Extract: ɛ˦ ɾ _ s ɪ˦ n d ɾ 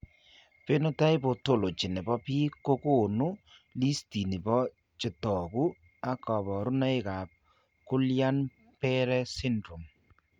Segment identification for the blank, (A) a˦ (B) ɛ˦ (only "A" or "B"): B